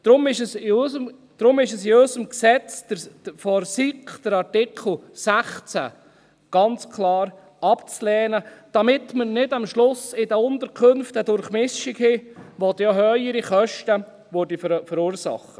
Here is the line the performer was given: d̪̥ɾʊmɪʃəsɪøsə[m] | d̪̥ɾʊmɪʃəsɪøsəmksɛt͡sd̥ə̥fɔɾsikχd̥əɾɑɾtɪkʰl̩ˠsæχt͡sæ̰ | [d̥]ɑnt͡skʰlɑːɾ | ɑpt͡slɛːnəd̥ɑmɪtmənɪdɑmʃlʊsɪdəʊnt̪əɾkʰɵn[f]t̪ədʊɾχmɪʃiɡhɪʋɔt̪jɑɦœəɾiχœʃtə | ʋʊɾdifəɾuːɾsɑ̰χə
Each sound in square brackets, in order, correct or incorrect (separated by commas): correct, incorrect, correct